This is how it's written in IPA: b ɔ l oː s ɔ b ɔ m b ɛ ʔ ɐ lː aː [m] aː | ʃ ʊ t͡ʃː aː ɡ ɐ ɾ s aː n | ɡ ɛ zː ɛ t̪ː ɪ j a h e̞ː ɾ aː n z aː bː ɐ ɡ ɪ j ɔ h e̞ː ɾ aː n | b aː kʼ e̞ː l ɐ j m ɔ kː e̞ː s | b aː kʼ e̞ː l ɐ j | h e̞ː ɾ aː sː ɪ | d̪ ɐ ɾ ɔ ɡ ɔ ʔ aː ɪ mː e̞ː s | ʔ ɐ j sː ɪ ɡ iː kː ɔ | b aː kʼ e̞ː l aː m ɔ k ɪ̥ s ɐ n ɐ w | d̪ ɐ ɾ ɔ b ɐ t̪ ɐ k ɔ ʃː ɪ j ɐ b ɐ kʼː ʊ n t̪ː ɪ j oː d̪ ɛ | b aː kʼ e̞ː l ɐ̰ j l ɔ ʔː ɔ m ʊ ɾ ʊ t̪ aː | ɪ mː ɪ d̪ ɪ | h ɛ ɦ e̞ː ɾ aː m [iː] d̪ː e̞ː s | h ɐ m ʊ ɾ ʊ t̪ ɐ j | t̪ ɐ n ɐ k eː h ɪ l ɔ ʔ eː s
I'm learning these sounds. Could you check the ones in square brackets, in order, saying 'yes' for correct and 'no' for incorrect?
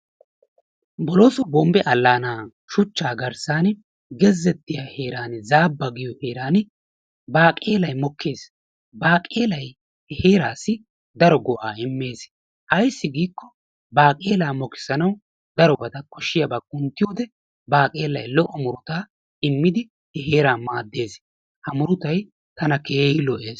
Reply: no, no

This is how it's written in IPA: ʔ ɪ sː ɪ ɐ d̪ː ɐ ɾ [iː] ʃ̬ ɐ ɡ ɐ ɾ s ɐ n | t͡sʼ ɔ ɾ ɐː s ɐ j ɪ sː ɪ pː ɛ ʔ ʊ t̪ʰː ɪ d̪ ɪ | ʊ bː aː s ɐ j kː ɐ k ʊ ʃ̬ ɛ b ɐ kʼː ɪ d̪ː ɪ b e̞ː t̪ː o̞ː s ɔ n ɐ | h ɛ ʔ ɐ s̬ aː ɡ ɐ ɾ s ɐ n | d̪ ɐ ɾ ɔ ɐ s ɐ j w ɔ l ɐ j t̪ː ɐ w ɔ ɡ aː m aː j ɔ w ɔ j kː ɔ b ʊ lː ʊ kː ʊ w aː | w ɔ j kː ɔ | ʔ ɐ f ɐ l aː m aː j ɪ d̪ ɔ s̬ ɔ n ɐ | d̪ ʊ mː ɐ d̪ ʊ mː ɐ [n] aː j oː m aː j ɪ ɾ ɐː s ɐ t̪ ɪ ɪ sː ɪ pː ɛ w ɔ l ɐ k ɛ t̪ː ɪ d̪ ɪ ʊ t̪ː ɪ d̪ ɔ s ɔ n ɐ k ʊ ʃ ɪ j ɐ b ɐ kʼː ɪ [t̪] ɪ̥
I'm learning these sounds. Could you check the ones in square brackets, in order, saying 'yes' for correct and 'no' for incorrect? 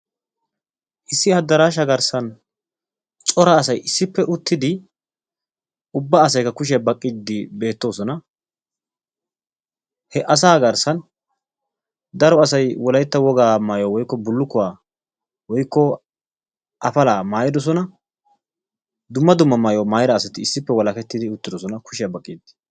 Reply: no, no, no

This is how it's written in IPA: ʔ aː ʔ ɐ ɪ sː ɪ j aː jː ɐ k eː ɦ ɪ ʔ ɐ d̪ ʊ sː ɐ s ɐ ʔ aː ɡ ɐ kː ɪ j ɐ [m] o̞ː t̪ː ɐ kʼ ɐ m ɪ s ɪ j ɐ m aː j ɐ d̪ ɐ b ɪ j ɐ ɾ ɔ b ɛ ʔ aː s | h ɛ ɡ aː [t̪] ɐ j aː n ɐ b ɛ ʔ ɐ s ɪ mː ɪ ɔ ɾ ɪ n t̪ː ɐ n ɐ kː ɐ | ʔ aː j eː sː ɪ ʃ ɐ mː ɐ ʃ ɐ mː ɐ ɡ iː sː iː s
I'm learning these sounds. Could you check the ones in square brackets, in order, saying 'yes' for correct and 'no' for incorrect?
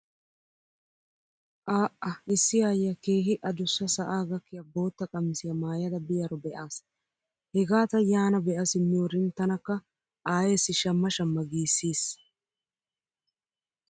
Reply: no, yes

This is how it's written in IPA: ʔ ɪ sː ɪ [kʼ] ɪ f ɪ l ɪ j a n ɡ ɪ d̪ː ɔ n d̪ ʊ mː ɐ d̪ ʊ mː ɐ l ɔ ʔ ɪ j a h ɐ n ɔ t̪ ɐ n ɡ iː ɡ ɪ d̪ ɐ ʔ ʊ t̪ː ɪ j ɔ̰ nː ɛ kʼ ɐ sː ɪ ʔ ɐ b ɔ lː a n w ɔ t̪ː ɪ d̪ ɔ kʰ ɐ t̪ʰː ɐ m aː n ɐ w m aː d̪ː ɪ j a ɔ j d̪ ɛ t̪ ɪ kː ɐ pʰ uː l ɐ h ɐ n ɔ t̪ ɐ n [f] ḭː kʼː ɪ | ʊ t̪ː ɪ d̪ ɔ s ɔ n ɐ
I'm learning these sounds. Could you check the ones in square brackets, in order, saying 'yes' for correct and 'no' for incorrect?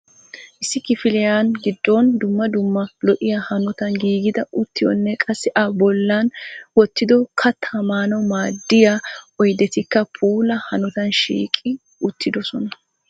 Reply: no, no

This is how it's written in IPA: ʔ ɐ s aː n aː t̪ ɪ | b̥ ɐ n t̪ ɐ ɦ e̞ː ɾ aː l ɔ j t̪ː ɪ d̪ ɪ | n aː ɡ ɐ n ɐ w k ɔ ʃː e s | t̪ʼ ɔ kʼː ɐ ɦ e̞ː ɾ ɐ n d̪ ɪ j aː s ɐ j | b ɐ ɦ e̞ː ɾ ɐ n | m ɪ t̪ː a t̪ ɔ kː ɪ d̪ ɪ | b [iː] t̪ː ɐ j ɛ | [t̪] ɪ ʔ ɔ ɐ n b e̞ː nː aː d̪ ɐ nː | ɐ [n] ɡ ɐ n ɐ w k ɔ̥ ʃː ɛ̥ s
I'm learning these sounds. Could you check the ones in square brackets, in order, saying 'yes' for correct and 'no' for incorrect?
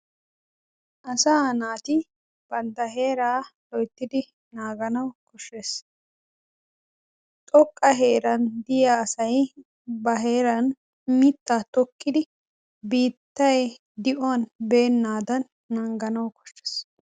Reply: yes, no, no

